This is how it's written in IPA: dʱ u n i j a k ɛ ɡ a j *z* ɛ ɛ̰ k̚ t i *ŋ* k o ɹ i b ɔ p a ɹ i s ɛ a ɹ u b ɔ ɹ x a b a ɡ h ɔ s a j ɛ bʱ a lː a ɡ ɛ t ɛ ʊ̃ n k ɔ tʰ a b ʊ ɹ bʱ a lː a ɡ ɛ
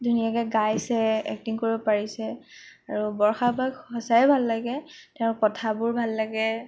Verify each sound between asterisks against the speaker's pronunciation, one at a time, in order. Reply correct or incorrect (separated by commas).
incorrect, correct